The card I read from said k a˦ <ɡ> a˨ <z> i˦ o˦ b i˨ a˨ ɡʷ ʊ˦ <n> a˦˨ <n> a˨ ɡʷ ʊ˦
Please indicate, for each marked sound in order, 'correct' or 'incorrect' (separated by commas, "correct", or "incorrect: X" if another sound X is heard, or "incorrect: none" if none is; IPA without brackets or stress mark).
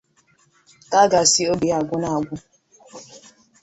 correct, incorrect: s, correct, incorrect: none